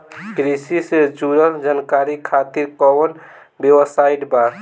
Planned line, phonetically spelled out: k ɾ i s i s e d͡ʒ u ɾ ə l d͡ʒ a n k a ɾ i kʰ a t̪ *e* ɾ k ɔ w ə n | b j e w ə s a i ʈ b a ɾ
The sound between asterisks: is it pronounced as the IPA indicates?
no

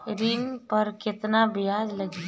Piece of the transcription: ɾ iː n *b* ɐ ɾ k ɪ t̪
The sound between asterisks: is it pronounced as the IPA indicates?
no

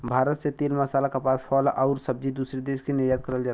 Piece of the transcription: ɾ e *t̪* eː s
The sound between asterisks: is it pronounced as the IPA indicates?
no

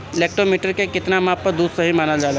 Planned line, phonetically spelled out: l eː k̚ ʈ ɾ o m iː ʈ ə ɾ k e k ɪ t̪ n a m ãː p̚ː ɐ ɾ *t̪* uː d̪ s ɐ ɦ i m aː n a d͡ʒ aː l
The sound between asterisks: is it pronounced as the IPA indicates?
no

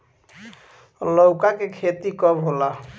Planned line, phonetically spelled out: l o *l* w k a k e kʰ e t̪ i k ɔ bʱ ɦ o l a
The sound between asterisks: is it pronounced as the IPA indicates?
no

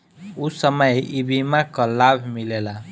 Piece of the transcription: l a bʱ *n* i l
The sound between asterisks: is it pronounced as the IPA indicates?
no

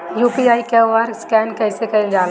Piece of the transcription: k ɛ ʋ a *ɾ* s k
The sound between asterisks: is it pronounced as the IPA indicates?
yes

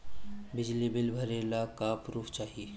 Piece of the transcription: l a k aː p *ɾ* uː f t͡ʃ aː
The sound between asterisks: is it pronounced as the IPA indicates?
yes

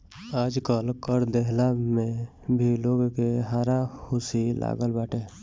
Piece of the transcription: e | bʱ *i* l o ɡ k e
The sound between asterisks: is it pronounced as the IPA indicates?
yes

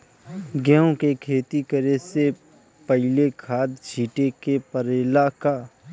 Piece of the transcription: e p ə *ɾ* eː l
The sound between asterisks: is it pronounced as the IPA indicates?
yes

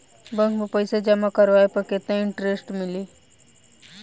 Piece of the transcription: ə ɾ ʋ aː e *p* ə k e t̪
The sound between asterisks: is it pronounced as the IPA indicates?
yes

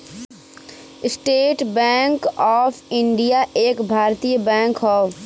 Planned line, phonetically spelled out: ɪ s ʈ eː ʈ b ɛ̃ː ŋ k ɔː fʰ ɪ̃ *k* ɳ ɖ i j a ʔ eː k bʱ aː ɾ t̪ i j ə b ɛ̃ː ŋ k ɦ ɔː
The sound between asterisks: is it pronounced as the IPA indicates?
no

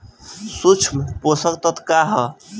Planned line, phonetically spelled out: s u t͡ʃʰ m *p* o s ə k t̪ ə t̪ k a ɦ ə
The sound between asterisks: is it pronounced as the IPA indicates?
yes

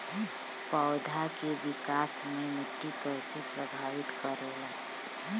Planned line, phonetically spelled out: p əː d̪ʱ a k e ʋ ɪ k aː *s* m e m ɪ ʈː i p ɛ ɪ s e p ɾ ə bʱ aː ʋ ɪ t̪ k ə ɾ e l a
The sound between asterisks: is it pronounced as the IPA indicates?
yes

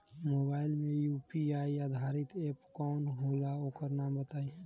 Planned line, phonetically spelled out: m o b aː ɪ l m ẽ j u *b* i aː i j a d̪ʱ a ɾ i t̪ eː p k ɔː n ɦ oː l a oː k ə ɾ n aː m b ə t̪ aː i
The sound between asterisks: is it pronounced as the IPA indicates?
no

